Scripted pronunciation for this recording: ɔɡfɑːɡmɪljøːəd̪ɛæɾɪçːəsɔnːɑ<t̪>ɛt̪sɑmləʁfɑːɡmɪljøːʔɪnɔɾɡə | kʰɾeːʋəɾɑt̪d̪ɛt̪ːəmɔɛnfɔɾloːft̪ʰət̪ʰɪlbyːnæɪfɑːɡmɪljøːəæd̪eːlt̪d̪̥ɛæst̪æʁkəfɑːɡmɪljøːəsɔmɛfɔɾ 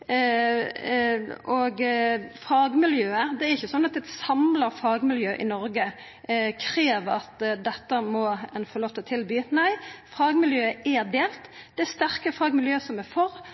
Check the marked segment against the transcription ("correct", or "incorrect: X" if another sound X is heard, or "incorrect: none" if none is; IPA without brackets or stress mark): correct